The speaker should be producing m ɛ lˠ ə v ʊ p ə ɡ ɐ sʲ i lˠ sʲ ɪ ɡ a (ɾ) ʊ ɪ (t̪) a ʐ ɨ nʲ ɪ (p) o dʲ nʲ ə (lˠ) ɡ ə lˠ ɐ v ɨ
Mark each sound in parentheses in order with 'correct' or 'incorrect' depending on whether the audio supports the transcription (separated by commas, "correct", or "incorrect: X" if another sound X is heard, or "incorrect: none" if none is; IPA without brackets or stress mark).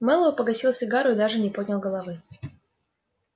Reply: correct, incorrect: d̪, correct, correct